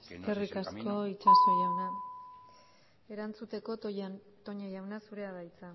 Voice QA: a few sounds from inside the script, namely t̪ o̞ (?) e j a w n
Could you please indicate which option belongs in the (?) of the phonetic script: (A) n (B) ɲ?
B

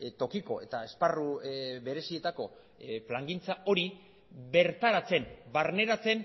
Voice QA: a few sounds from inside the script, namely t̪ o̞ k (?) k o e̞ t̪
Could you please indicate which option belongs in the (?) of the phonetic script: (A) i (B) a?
A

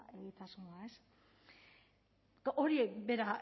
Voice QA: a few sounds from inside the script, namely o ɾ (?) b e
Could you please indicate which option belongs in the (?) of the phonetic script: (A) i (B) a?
A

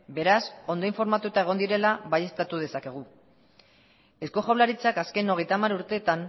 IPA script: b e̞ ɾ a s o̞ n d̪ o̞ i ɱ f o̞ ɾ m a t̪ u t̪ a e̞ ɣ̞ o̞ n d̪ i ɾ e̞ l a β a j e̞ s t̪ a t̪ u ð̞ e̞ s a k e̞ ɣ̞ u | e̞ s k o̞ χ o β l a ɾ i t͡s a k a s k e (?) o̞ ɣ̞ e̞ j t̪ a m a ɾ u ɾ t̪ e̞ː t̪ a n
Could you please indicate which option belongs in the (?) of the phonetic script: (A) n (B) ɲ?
A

